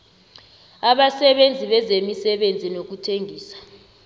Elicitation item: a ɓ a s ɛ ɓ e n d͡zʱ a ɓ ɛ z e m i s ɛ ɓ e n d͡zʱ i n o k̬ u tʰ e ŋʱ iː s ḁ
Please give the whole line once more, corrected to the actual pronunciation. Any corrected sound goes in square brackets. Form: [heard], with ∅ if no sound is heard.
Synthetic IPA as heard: a ɓ a s ɛ ɓ e n d͡zʱ [i] ɓ ɛ z e m i s ɛ ɓ e n d͡zʱ i n o k̬ u tʰ e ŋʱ iː s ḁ